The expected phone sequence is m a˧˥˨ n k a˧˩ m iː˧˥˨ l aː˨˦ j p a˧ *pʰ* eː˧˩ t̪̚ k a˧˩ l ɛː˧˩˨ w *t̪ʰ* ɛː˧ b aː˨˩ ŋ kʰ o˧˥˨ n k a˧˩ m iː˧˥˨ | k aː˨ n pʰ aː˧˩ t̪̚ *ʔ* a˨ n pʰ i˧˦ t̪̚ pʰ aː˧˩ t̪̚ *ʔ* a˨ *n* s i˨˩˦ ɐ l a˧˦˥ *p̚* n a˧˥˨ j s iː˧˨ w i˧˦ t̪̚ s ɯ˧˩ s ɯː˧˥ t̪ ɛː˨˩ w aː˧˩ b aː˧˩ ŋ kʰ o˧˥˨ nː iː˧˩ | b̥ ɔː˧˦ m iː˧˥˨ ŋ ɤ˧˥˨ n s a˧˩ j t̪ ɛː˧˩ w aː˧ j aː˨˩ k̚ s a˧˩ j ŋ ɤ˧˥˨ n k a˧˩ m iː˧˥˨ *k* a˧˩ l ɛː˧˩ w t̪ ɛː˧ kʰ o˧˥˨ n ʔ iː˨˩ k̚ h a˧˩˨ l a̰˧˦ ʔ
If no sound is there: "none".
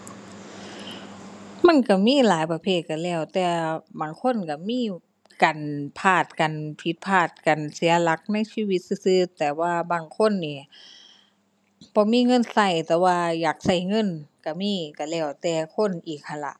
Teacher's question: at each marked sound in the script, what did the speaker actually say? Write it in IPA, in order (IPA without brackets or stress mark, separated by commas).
pʰ, t̪, k, k, n, k̚, k